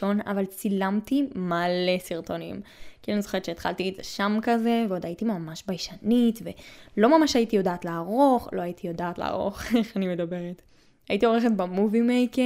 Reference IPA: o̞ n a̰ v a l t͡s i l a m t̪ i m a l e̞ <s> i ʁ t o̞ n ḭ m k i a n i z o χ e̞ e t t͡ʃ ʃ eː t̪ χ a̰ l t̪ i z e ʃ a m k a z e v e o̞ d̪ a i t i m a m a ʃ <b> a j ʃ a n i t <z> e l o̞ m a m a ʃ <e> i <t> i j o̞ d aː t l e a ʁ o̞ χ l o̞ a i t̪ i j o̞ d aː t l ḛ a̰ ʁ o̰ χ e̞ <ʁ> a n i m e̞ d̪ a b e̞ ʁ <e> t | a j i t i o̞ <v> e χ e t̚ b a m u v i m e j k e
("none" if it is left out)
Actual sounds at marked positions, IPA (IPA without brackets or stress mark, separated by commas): s, b, v, a, t, χ, e, ʁ